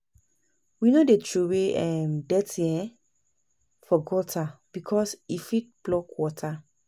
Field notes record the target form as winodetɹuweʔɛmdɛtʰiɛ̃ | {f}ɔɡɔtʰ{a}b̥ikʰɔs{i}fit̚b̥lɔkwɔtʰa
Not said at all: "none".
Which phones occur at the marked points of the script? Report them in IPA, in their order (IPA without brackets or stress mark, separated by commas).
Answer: f, a, i